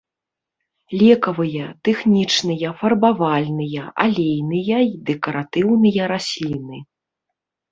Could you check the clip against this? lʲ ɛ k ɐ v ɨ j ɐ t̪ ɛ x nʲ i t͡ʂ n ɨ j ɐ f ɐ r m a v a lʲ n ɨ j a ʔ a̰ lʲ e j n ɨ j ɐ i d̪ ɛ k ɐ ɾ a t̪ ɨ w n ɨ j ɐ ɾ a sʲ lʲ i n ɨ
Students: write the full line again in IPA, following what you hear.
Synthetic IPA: lʲ ɛ k ɐ v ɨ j ɐ t̪ ɛ x nʲ i t͡ʂ n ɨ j ɐ f ɐ r b a v a lʲ n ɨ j ɐ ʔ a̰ lʲ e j n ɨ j ɐ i d̪ ɛ k ɐ ɾ a t̪ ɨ w n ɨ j ɐ ɾ a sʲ lʲ i n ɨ